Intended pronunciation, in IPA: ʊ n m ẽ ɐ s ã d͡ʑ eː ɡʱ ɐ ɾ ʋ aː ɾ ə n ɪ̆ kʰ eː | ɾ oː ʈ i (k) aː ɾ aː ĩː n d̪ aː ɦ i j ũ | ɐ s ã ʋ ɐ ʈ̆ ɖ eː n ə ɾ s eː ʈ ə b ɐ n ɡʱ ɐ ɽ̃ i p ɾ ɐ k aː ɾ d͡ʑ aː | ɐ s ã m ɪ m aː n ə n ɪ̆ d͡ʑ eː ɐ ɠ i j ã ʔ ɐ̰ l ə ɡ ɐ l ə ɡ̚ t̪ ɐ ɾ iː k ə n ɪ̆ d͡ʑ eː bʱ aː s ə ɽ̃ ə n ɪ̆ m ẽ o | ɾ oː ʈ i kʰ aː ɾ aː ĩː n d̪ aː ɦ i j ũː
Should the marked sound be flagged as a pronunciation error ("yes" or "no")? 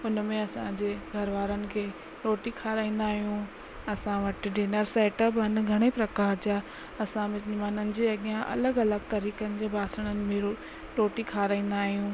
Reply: yes